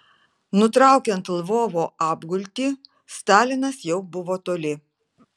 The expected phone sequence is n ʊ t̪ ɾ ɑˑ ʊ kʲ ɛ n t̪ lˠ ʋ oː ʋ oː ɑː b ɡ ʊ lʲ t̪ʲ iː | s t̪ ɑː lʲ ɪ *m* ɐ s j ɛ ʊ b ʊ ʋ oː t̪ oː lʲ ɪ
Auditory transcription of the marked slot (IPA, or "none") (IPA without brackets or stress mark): n